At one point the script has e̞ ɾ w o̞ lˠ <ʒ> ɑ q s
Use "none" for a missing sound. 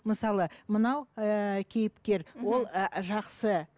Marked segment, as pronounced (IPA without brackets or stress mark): ʒ